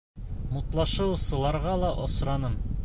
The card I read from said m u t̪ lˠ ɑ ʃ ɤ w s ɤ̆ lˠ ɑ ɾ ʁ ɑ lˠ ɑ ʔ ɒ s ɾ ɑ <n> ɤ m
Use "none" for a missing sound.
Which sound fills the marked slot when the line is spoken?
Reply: n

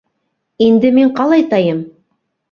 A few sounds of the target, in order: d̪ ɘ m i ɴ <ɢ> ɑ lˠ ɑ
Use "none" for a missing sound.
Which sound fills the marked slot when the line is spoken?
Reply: q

